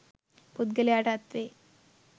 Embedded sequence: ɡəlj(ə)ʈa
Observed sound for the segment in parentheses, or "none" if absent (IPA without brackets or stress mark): a